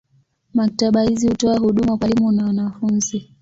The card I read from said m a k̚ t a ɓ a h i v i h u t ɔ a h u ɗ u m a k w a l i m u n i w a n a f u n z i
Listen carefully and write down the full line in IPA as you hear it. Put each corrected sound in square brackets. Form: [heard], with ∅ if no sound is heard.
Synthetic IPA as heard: m a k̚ t a ɓ a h i [z] i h u t ɔ a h u ɗ u m a k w a l i m u n [a] w a n a f u n z i